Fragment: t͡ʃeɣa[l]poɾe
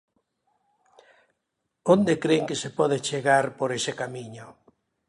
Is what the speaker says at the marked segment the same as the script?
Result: no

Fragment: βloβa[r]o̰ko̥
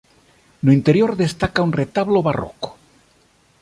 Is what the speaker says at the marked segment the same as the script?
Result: yes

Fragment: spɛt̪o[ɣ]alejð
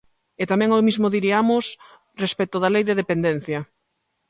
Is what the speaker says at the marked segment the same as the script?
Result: no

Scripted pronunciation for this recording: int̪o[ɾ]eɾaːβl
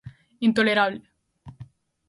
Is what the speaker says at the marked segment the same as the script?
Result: no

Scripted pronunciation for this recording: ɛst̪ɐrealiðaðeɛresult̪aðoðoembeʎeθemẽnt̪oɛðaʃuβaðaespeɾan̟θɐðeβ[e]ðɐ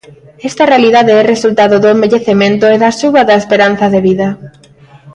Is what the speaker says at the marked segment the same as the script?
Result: no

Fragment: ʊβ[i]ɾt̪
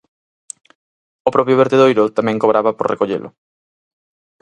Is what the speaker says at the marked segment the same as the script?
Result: no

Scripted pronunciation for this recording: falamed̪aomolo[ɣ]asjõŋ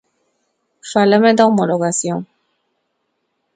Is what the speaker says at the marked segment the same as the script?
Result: yes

